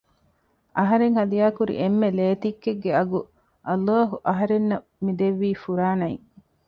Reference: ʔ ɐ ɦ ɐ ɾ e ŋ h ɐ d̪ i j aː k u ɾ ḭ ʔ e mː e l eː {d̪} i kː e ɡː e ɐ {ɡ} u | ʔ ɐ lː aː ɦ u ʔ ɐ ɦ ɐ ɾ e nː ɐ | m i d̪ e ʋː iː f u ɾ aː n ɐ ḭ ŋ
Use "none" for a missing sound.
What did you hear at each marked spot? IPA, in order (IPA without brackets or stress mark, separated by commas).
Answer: t̪, ɡ